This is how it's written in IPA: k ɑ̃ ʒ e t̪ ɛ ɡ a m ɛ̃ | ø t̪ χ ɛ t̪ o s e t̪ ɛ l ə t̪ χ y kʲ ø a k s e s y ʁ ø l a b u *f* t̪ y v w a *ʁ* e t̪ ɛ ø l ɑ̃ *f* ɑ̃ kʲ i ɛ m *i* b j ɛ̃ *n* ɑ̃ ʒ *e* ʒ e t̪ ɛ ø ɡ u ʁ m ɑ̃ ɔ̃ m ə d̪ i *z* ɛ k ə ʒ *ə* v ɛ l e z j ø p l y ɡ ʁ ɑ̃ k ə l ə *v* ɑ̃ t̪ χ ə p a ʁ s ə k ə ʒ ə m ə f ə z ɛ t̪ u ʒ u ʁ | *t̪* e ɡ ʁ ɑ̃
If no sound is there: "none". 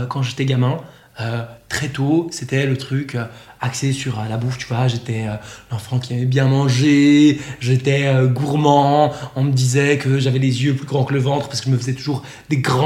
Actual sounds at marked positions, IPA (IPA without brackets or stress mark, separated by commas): f, ʒ, f, ɛ, m, e, z, a, v, d̪